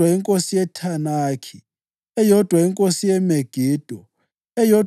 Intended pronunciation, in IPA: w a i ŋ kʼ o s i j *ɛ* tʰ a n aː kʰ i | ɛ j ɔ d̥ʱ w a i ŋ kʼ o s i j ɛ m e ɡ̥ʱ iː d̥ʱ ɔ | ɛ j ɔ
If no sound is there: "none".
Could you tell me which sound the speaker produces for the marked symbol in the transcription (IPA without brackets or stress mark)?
ɛ